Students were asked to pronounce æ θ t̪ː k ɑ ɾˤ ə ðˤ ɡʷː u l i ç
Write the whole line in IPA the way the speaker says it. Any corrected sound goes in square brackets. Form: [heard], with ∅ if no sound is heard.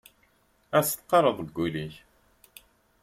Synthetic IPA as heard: æ [s] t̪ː [q] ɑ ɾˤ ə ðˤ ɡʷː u l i ç